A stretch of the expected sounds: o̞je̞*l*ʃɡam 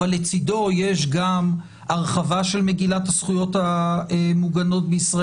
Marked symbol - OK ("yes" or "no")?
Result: no